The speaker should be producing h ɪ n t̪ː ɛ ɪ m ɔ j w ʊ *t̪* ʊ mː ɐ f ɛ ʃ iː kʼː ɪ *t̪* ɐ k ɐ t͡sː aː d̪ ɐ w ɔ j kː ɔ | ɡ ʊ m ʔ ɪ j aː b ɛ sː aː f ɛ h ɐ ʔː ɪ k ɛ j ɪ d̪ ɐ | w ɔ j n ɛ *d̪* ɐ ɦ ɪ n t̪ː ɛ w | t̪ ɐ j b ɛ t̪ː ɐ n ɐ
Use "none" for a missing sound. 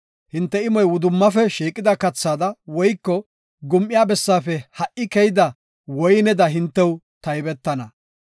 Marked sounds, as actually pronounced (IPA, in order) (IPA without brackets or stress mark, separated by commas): d̪, d̪, d̪